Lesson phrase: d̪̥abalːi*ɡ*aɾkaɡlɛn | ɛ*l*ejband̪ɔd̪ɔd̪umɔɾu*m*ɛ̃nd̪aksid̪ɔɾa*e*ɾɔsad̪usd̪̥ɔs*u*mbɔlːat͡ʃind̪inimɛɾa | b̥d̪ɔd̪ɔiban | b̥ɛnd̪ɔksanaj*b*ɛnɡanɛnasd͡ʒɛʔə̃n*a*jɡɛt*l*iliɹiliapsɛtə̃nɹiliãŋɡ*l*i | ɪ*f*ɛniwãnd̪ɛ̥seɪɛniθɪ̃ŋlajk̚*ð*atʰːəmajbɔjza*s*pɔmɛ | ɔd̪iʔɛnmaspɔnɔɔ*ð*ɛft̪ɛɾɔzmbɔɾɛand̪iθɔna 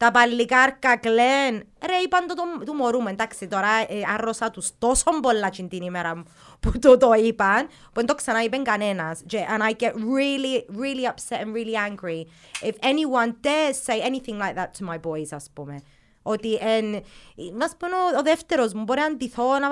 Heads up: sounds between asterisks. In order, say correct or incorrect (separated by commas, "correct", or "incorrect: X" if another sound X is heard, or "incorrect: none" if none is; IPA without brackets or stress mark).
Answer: correct, incorrect: ɾ, correct, incorrect: a, incorrect: ɔ, correct, correct, incorrect: ɹ, incorrect: ɹ, correct, correct, correct, correct